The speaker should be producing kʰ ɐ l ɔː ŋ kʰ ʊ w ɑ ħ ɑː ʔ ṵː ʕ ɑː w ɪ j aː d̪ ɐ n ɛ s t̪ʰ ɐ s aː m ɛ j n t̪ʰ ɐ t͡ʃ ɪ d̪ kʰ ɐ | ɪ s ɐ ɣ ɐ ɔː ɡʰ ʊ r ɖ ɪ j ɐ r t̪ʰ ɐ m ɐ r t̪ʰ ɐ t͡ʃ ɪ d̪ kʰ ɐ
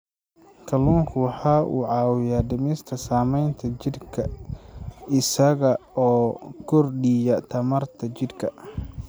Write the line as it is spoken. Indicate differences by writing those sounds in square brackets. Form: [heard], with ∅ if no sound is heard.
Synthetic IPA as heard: kʰ ɐ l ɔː ŋ kʰ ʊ w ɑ ħ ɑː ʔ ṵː ʕ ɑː w ɪ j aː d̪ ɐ [m] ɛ s t̪ʰ ɐ s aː m ɛ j n t̪ʰ ɐ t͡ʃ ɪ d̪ kʰ ɐ | ɪ s ɐ ɣ ɐ ɔː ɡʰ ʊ r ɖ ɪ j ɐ [∅] t̪ʰ ɐ m ɐ r t̪ʰ ɐ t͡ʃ ɪ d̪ kʰ ɐ